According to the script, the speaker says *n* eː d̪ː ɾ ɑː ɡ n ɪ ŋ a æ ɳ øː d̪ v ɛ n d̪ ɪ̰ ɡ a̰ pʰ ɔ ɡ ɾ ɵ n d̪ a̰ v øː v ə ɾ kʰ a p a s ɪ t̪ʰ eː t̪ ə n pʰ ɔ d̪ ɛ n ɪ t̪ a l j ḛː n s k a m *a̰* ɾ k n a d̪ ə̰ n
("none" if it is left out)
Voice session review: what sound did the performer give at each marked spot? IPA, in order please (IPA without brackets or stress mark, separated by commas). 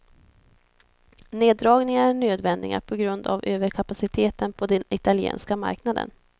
n, a̰